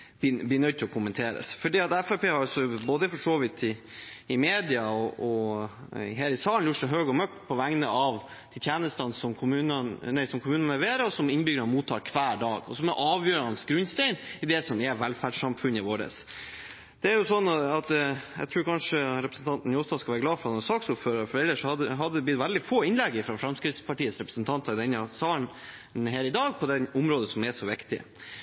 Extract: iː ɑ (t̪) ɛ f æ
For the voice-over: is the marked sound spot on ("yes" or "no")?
yes